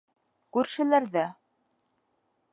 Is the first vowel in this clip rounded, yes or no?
yes